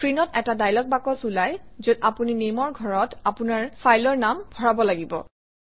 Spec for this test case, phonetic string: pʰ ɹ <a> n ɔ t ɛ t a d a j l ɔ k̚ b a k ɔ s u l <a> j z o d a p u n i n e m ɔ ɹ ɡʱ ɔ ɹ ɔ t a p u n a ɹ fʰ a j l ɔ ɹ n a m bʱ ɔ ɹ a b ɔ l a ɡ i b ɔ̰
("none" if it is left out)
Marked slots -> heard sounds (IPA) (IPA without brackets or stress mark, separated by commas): i, a